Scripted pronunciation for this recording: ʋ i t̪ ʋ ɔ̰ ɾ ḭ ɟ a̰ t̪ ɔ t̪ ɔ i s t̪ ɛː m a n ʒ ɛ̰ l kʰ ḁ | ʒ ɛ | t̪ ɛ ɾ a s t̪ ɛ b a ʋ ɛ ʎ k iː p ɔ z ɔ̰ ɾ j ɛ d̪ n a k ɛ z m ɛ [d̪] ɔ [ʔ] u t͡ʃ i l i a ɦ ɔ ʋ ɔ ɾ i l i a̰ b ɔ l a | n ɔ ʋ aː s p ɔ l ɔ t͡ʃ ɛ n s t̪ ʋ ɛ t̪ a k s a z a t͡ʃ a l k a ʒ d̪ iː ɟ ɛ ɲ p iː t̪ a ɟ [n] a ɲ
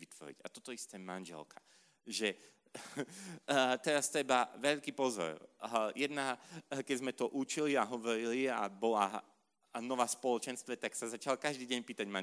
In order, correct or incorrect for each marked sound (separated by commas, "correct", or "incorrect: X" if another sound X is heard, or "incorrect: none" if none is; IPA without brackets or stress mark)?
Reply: incorrect: t̪, correct, incorrect: m